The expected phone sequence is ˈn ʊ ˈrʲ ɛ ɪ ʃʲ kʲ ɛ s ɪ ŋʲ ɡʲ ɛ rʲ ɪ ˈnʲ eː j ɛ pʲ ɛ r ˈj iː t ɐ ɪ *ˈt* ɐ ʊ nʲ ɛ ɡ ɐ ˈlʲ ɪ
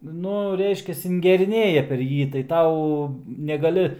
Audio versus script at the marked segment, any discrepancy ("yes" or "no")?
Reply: no